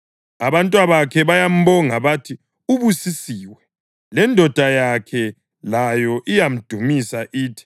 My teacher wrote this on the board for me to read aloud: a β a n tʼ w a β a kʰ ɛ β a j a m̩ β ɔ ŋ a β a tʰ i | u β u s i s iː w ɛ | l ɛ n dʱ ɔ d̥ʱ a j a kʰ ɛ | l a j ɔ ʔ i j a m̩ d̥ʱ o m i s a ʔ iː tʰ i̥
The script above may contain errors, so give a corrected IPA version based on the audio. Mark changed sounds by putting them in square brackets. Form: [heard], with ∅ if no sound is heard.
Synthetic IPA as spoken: a β a n tʼ w a β a kʰ ɛ β a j a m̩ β ɔ ŋ a β a tʰ i | u β u s i s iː w ɛ | l ɛ n dʱ ɔ d̥ʱ a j a kʰ ɛ | l a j ɔ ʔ i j a m̩ d̥ʱ [u] m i s a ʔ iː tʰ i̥